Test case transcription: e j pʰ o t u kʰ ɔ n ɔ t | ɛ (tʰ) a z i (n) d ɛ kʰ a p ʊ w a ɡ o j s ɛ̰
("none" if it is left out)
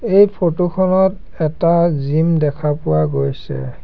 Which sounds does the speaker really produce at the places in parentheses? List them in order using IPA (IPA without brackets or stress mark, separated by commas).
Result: t, m